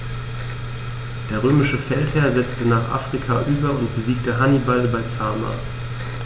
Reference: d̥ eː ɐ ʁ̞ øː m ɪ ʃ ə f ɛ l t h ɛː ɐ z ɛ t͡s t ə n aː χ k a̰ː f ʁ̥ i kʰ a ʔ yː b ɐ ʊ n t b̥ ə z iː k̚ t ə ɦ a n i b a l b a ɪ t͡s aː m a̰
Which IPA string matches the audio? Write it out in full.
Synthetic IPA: d̥ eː ɐ ʁ̞ øː m ɪ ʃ ə f ɛ l t h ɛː ɐ z ɛ t͡s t ə n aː χ ʔ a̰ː f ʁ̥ i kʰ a ʔ yː b ɐ ʊ n t b̥ ə z iː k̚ t ə ɦ a n i b a l b a ɪ t͡s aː m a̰